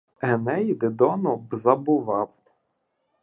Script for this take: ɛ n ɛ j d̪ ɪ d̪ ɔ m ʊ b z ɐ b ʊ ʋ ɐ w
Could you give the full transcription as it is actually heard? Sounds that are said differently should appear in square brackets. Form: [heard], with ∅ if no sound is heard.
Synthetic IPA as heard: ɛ n ɛ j d̪ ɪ d̪ ɔ [n] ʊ b z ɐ b ʊ ʋ [ɑ] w